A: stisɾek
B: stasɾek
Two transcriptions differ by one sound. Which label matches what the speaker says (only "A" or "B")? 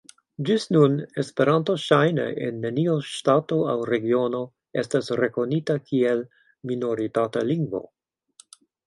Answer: B